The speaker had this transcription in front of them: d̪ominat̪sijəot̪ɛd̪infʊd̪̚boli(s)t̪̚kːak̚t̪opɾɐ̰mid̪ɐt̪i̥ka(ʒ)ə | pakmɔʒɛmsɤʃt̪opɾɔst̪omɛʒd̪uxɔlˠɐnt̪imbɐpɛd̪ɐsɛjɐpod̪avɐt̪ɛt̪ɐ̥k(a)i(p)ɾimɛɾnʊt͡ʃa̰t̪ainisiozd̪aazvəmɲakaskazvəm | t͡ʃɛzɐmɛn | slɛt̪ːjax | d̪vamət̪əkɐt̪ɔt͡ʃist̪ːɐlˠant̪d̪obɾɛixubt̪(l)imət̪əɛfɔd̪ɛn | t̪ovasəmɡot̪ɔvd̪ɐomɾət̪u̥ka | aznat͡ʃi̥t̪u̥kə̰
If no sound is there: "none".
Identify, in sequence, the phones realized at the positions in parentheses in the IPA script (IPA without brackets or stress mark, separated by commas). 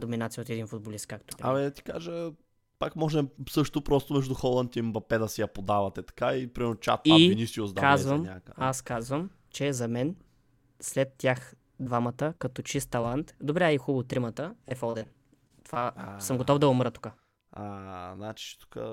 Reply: s, ʒ, a, p, ɾ